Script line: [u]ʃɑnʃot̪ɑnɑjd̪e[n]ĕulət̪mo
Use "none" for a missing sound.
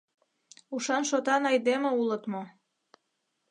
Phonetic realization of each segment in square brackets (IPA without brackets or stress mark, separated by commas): u, m